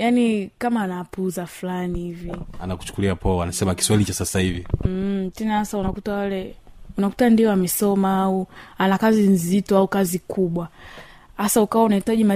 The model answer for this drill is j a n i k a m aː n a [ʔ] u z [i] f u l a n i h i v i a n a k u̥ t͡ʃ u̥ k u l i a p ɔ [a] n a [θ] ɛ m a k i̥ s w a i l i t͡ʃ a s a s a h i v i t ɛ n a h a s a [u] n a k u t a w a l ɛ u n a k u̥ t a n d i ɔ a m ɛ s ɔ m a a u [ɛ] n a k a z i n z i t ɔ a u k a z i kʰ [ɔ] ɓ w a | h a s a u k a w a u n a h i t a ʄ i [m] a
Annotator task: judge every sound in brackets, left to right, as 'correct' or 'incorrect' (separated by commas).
incorrect, incorrect, correct, incorrect, correct, incorrect, incorrect, correct